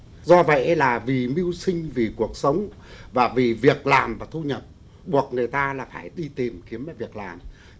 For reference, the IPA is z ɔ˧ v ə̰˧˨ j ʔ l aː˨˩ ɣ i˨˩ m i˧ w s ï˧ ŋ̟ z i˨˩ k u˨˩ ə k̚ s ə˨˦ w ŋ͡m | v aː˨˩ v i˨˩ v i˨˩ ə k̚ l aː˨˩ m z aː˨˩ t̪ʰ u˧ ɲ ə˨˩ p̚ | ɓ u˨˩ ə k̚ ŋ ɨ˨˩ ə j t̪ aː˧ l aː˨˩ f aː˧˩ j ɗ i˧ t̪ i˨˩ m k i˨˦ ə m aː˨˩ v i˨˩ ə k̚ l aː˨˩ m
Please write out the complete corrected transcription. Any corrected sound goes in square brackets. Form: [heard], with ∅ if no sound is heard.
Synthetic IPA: z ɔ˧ v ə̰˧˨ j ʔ l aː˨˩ [v] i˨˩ m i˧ w s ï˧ ŋ̟ [v] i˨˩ k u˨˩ ə k̚ s ə˨˦ w ŋ͡m | v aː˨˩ v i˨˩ v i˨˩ ə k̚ l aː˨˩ m [v] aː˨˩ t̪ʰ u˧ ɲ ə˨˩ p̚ | ɓ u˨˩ ə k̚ ŋ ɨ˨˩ ə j t̪ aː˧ l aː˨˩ f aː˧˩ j ɗ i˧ t̪ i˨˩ m k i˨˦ ə m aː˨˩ v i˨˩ ə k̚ l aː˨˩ m